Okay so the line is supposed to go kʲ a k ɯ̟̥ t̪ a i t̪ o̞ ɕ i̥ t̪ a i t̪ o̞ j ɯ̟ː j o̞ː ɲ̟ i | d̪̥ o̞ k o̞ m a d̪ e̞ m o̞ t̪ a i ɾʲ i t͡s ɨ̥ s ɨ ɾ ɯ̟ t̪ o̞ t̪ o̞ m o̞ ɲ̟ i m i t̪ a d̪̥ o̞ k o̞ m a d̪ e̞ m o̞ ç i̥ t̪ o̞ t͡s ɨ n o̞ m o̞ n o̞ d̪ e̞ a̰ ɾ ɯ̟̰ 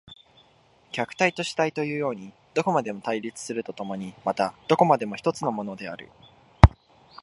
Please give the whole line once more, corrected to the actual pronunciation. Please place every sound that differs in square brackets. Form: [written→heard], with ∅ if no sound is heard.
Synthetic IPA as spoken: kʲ a k ɯ̟̥ t̪ a i t̪ o̞ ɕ i̥ t̪ a i t̪ o̞ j ɯ̟ː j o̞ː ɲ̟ i | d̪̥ o̞ k o̞ m a d̪ e̞ m o̞ t̪ a i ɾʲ i t͡s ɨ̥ s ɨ ɾ ɯ̟ t̪ o̞ t̪ o̞ m o̞ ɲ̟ i m [i→a] t̪ a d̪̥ o̞ k o̞ m a d̪ e̞ m o̞ ç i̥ t̪ o̞ t͡s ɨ n o̞ m o̞ n o̞ d̪ e̞ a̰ ɾ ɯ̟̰